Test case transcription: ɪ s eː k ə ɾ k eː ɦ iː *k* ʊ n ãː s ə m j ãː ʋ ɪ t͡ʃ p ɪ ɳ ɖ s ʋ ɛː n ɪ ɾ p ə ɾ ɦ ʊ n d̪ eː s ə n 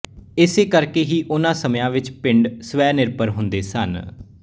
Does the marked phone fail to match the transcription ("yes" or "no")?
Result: yes